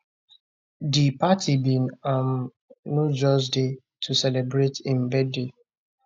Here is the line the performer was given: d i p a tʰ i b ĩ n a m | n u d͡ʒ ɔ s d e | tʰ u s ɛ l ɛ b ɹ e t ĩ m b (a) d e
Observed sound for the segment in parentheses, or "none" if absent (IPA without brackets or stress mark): ɛ